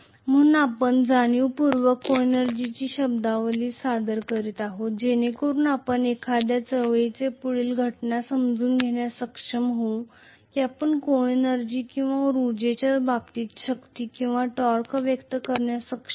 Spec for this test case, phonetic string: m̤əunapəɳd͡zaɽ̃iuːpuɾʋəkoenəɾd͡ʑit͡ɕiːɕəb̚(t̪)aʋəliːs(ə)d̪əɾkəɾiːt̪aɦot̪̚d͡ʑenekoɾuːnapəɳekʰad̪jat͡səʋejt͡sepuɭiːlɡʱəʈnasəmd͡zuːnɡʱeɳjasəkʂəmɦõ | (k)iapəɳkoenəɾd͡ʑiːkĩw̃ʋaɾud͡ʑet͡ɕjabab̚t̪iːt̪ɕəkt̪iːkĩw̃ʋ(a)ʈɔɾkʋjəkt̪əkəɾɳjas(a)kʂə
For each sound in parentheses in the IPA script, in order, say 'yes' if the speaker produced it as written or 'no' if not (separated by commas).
no, no, yes, yes, no